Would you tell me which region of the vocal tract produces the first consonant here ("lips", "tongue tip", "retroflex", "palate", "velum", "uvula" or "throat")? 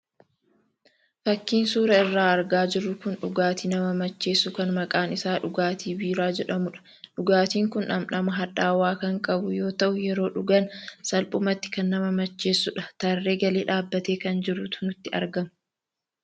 lips